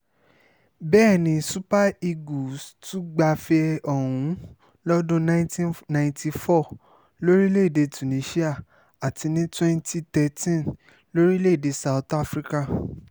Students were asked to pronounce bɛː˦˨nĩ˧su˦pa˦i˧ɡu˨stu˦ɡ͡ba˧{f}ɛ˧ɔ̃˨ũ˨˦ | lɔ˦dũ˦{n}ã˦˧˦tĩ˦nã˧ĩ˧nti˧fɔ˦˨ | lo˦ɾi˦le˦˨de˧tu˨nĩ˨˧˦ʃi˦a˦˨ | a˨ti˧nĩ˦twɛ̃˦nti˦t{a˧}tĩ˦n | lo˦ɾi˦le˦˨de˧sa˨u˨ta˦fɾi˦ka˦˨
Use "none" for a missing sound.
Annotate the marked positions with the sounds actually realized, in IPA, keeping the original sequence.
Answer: f, n, ɛ˧

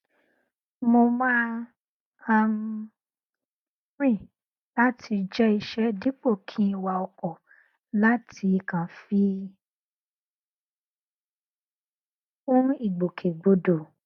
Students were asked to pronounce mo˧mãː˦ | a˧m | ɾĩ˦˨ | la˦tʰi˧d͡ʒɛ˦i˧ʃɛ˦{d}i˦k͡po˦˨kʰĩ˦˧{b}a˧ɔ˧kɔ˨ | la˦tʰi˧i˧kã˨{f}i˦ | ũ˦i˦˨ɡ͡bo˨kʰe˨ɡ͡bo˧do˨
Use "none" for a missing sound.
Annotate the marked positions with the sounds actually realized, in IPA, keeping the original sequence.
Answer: d, w, f

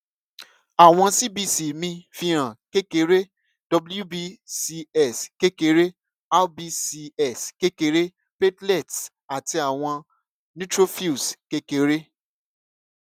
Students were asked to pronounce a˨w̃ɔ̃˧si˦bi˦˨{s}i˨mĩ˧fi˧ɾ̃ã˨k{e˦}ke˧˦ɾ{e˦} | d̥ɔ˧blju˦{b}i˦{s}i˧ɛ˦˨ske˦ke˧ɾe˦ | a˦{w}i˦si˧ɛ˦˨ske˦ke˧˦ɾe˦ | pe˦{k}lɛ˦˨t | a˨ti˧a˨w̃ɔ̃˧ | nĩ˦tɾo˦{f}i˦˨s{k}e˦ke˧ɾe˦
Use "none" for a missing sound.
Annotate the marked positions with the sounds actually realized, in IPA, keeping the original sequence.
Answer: s, e˦, e˦, b, s, b, t, f, k

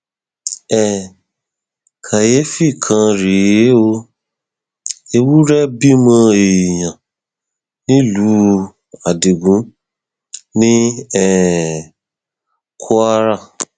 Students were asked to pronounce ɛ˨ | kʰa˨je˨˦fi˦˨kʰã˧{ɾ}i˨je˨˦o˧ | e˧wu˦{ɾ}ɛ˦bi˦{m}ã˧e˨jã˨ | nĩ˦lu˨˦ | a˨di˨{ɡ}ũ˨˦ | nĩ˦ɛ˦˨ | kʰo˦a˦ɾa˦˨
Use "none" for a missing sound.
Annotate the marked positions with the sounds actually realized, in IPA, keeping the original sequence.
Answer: ɾ, ɾ, m, ɡ

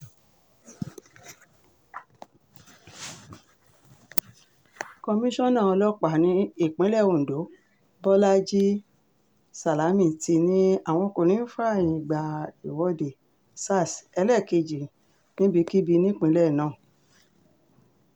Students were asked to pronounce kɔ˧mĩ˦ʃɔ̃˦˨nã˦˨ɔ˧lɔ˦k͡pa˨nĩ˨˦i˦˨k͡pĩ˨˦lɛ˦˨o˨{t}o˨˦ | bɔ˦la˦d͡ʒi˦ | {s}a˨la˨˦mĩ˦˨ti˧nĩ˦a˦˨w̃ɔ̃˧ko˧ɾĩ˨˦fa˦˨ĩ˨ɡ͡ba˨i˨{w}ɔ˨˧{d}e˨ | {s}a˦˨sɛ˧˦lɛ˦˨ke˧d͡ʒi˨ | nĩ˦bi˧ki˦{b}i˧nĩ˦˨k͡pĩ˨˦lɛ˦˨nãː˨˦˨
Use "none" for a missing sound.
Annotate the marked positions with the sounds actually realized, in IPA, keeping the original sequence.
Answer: d, s, w, d, s, b

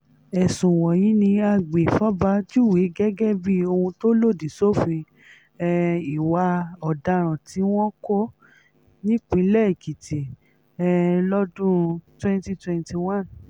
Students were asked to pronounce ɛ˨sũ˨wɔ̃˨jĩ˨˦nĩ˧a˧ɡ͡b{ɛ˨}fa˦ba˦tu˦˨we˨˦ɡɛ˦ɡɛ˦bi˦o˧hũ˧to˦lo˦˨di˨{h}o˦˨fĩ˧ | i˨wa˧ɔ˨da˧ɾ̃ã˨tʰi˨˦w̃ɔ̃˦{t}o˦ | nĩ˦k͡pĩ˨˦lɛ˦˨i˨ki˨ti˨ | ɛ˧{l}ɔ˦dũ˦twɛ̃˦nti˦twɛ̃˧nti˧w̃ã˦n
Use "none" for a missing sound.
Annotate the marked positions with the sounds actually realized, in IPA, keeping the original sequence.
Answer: e˨, s, k, l

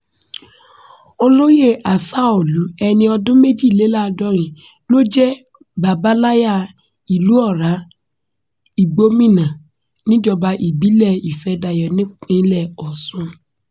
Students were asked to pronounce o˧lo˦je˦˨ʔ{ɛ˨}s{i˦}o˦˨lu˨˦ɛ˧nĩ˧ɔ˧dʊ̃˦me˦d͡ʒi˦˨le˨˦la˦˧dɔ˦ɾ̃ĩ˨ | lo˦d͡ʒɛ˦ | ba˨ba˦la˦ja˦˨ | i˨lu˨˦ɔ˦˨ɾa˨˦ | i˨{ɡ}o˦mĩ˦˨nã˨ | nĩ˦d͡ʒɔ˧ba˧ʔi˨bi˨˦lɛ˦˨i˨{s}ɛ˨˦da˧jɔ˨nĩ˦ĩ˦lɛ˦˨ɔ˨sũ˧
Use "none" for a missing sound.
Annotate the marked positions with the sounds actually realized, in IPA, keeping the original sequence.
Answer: a˨, a˦, ɡ͡b, f

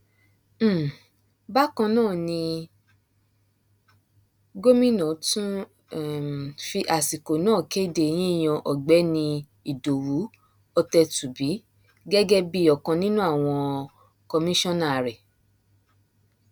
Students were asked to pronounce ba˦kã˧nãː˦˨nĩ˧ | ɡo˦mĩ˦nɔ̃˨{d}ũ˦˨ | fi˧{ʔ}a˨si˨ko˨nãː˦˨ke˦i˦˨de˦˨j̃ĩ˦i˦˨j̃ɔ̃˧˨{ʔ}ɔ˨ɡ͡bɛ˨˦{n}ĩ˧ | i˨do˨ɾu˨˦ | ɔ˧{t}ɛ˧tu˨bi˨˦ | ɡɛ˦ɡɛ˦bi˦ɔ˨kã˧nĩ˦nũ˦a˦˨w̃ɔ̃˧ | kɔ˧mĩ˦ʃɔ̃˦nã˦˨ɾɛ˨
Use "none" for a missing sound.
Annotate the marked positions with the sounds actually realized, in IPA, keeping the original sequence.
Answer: t, ʔ, ʔ, n, t

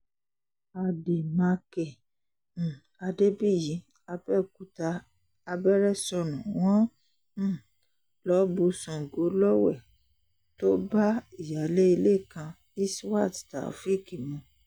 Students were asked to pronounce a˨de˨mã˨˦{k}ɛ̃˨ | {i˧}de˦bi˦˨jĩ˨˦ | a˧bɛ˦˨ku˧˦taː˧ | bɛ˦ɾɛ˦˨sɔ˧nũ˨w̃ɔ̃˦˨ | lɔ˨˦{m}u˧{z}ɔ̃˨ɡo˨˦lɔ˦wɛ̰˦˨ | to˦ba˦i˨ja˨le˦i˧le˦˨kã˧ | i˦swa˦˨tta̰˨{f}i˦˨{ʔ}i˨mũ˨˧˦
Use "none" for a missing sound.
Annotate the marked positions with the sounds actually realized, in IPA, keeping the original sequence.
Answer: k, a˧, b, s, f, k

